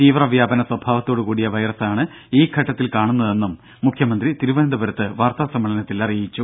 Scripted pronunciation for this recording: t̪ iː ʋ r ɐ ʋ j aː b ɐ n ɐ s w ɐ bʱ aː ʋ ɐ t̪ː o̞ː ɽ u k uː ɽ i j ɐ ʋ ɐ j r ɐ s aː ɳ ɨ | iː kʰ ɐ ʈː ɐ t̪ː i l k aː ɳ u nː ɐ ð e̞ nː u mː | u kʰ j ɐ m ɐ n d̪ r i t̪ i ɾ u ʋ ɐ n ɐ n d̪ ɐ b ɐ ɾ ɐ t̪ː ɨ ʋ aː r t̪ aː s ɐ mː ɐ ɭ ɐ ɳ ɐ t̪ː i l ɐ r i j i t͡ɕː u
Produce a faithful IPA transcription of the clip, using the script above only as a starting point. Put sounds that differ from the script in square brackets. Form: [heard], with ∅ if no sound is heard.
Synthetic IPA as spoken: t̪ iː ʋ r ɐ ʋ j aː b ɐ n ɐ s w ɐ bʱ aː ʋ ɐ t̪ː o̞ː ɽ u k uː ɽ i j ɐ ʋ ɐ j r ɐ s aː ɳ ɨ | iː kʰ ɐ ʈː ɐ t̪ː i l k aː ɳ u nː ɐ ð e̞ nː u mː | u kʰ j ɐ m ɐ n d̪ r i t̪ i ɾ u ʋ ɐ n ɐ n d̪ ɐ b ɐ ɾ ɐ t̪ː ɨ ʋ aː r t̪ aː s ɐ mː ɐ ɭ ɐ [n] ɐ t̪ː i l ɐ r i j i t͡ɕː u

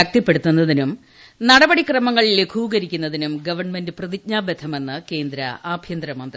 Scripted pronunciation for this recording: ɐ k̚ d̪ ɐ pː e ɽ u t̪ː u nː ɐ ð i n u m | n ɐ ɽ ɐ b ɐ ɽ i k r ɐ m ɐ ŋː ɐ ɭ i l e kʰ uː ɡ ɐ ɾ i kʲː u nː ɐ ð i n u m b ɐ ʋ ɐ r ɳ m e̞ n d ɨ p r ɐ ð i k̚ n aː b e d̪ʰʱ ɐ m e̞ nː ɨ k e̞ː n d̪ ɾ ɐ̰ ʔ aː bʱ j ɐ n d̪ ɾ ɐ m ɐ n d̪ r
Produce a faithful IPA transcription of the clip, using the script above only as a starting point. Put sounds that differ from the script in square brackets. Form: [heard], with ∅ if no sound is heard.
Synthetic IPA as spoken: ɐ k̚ [t̪] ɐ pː e ɽ u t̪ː u nː ɐ ð i n u m | n ɐ ɽ ɐ b ɐ ɽ i k r ɐ m ɐ ŋː ɐ ɭ i l e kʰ uː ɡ ɐ ɾ i kʲː u nː ɐ ð i n u m [ɡ] ɐ ʋ ɐ r ɳ m e̞ n d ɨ p r ɐ ð i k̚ [ɲ] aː b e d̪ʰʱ ɐ m e̞ nː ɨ k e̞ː n d̪ ɾ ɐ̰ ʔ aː bʱ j ɐ n d̪ ɾ ɐ m ɐ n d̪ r

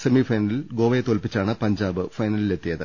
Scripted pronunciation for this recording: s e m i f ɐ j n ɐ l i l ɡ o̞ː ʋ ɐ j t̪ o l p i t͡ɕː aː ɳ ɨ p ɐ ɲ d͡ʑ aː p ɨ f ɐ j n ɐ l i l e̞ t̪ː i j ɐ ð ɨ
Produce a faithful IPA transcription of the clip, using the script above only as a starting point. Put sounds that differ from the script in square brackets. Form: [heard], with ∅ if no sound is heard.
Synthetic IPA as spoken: s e m i f ɐ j n ɐ l i l ɡ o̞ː ʋ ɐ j t̪ o l p i t͡ɕː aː ɳ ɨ p ɐ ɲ d͡ʑ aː [b] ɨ f ɐ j n ɐ l i l e̞ t̪ː i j ɐ ð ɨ

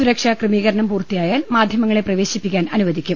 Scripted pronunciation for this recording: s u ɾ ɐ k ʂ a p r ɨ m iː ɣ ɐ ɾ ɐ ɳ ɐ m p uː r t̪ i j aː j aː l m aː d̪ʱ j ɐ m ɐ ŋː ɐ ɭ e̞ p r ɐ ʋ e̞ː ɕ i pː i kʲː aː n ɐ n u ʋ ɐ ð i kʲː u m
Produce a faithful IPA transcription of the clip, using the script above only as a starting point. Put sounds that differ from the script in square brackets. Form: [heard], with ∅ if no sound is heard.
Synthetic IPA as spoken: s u ɾ ɐ k ʂ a [k] r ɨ m iː ɣ ɐ ɾ ɐ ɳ ɐ m p uː r t̪ i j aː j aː l m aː d̪ʱ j ɐ m ɐ ŋː ɐ ɭ e̞ p r ɐ ʋ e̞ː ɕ i pː i kʲː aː n ɐ n u ʋ ɐ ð i kʲː u m

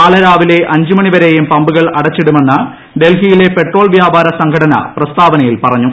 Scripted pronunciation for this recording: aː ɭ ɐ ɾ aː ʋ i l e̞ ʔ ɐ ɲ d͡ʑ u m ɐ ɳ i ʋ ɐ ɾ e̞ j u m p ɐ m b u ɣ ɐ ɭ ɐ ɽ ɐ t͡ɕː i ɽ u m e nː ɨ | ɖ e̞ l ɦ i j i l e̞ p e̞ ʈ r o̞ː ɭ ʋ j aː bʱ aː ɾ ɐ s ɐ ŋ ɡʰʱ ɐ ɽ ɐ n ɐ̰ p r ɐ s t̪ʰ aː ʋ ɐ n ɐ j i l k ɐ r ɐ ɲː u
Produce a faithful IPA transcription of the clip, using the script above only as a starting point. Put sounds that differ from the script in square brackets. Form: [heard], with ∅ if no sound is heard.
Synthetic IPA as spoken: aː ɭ ɐ ɾ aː ʋ i l e̞ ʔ ɐ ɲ d͡ʑ u m ɐ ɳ i ʋ ɐ ɾ e̞ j u m p ɐ m b u ɣ ɐ ɭ ɐ ɽ ɐ t͡ɕː i ɽ u m e nː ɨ | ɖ e̞ l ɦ i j i l e̞ p e̞ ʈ r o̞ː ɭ ʋ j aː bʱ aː ɾ ɐ s ɐ ŋ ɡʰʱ ɐ ɽ ɐ n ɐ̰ p r ɐ s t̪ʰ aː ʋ ɐ n ɐ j i l [p] ɐ r ɐ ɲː u

